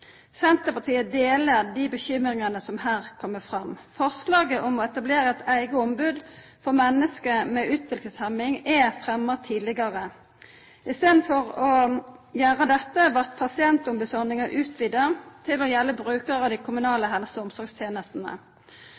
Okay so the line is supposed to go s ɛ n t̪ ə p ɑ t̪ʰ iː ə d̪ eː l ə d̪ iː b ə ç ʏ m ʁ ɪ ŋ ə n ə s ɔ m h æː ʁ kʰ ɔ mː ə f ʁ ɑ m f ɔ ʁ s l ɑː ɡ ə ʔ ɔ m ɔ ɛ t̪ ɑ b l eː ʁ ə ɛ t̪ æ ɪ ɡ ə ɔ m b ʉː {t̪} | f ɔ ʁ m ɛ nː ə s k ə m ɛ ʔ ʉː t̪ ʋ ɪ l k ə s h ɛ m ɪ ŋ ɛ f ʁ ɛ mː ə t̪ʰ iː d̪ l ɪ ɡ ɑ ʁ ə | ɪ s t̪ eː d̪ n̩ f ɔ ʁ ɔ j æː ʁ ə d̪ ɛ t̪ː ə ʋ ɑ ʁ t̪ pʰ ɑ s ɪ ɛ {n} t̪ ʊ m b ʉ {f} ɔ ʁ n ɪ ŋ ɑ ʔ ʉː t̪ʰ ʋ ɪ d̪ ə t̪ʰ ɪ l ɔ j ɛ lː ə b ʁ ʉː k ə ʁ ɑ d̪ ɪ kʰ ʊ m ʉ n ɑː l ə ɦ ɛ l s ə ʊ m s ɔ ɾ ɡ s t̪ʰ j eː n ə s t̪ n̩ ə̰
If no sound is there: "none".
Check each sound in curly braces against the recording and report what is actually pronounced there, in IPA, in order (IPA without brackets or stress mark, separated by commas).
d̪, n, s